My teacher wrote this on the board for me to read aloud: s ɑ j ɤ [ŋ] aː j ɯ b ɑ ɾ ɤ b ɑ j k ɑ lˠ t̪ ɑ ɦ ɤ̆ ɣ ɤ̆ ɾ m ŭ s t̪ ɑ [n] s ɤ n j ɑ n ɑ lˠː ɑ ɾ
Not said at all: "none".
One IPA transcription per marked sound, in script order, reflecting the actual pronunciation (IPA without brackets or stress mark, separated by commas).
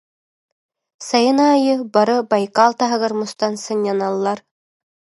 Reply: n, n